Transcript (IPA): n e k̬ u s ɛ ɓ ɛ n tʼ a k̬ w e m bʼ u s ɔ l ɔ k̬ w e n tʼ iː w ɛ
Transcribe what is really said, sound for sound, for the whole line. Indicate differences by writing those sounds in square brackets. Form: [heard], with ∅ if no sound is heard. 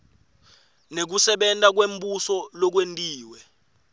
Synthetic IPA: n e k̬ u s ɛ ɓ ɛ n tʼ a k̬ w e m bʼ u s ɔ l ɔ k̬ w e n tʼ iː w ɛ